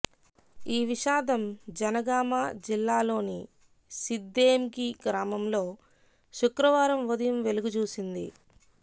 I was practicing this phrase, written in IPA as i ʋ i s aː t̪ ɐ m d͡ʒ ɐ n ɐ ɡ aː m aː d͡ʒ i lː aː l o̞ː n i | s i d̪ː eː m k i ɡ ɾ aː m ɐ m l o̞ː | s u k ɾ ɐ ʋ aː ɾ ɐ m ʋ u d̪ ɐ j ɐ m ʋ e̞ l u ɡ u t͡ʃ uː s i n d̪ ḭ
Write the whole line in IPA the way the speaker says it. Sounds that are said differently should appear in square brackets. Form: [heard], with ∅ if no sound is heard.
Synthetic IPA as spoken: [iː] ʋ i [ʃ] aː [d̪] ɐ m d͡ʒ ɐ n ɐ ɡ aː m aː d͡ʒ i lː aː l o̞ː n i | s i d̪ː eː m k i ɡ ɾ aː m ɐ m l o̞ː | [ʃ] u k ɾ ɐ ʋ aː ɾ ɐ m ʋ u d̪ ɐ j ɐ m ʋ e̞ l u ɡ u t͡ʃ uː s i n d̪ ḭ